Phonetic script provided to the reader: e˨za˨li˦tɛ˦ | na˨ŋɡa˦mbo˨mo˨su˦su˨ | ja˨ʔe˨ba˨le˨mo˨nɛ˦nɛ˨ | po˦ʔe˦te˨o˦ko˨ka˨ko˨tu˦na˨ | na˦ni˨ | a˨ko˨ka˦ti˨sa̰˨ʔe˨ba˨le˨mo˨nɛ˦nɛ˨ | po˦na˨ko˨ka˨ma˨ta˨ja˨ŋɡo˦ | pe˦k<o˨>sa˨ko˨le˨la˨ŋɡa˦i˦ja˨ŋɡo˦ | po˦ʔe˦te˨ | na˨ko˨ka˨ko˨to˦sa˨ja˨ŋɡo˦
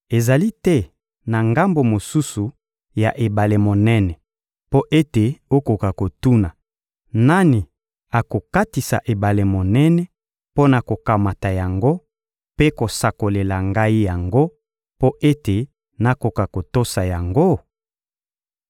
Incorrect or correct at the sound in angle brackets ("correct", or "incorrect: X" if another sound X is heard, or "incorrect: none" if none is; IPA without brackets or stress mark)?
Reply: correct